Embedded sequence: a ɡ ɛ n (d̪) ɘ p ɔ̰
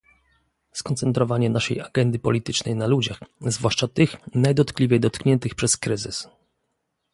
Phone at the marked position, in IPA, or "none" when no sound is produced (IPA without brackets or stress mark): d̪